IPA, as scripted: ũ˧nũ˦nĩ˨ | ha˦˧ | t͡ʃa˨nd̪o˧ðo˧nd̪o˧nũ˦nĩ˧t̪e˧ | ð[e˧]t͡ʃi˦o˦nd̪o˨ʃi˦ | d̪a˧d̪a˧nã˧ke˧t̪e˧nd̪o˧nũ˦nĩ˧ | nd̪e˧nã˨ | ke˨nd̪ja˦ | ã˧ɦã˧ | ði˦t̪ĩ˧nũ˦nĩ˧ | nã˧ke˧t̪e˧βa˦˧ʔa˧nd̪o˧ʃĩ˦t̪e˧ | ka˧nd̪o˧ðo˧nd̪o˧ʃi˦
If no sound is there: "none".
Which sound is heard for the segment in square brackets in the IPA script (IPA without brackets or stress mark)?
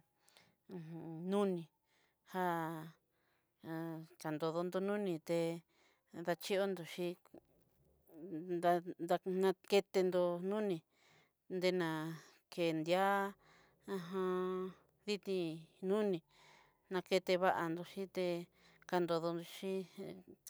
a˧